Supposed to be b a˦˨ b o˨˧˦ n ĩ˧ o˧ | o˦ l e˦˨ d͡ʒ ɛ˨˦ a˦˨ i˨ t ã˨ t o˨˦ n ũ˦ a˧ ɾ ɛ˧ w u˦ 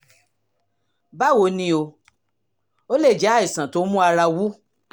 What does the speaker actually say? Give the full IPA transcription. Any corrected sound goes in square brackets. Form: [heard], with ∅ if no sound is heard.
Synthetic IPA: b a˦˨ [w] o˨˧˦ n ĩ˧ o˧ | o˦ l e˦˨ d͡ʒ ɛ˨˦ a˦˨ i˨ [s] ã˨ t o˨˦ [m] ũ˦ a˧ ɾ [a˧] w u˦